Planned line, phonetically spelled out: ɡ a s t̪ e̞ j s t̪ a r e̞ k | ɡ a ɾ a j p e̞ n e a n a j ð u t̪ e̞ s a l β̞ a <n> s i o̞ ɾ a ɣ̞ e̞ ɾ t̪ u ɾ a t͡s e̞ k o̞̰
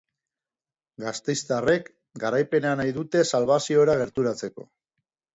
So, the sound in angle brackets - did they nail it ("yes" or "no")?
no